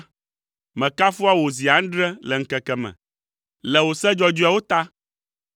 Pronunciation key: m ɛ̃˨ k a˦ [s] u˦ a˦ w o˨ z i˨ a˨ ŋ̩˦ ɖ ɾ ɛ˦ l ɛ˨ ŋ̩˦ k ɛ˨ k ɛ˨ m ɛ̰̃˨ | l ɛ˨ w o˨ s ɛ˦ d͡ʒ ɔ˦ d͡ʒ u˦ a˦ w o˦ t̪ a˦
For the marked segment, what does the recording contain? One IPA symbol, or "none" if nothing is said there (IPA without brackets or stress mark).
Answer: f